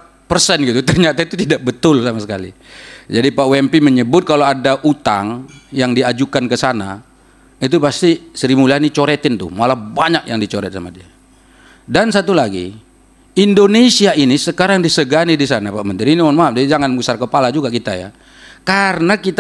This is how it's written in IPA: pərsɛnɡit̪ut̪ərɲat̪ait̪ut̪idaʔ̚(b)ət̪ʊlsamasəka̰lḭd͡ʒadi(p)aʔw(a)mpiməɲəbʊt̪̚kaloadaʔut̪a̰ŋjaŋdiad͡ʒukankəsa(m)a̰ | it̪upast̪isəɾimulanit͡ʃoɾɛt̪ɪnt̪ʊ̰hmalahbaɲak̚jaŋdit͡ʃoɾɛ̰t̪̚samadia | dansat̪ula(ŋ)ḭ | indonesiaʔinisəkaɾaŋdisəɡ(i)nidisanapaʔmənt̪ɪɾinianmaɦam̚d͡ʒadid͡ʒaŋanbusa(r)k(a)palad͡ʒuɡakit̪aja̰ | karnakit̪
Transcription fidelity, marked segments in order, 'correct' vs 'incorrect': correct, correct, incorrect: ɛ, incorrect: n, incorrect: ɡ, incorrect: a, correct, incorrect: ə

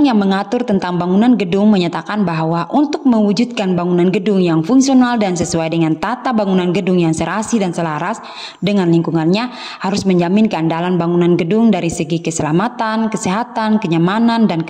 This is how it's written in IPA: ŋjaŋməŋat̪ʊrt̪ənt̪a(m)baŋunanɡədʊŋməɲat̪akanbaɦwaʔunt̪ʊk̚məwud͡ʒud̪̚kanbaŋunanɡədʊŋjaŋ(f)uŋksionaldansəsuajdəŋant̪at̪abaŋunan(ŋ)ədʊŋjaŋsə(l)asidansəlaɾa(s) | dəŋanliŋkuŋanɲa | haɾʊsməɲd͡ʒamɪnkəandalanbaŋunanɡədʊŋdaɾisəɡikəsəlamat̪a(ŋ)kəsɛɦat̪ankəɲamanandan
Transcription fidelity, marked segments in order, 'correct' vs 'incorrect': incorrect: ŋ, correct, incorrect: ɡ, incorrect: ɾ, correct, incorrect: n

